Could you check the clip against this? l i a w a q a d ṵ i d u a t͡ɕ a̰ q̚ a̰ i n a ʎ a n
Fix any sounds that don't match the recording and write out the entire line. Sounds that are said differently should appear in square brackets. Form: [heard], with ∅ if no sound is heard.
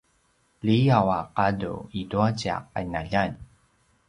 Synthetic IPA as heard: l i a w a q a d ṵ i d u a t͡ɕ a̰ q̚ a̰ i n a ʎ a n